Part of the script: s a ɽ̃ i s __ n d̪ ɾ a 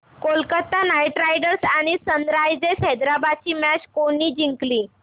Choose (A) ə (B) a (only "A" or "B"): A